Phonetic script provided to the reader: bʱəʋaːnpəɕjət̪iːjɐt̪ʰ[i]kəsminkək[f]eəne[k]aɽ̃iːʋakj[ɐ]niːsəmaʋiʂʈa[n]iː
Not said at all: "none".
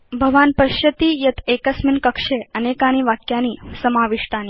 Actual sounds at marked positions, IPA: e, ʂ, k, a, n

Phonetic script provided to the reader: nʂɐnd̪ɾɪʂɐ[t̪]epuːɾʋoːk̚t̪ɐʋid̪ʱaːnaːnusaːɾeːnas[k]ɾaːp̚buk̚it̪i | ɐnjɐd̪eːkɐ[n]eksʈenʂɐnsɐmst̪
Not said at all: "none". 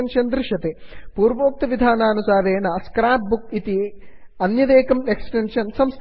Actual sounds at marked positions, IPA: t̪, k, m

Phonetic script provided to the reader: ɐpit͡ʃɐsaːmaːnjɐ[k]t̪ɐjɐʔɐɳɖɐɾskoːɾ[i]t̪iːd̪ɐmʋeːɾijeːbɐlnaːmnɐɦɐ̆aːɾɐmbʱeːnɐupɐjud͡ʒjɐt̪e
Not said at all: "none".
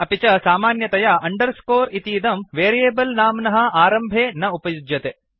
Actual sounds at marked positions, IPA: none, i

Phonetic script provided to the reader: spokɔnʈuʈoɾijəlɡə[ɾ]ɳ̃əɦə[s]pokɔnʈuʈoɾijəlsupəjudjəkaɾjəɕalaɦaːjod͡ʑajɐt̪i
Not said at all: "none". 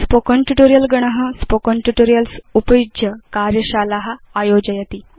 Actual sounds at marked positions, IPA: none, s

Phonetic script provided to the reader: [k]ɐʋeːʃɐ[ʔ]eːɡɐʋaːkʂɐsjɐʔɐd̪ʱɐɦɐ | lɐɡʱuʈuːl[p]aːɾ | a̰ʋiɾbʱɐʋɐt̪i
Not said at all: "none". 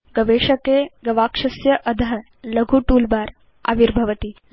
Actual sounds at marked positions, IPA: ɡ, k, b

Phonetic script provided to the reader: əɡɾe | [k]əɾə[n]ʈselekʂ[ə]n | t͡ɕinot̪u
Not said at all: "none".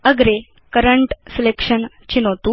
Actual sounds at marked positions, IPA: k, ɳ, ə

